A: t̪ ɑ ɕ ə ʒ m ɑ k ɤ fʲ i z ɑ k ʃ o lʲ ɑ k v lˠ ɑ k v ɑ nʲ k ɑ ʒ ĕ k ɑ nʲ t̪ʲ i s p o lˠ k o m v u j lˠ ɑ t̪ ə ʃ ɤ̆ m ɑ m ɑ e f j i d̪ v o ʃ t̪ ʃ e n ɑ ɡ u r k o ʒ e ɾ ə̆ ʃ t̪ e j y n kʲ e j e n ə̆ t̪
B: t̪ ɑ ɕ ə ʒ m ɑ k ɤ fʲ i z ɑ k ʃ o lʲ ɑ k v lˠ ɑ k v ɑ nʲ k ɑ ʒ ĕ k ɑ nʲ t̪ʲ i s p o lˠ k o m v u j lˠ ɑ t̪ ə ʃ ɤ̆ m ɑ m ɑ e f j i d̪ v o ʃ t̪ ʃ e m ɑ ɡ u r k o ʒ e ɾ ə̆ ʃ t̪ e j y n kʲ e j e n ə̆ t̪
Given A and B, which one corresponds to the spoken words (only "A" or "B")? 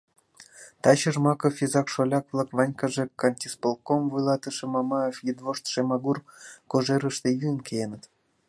B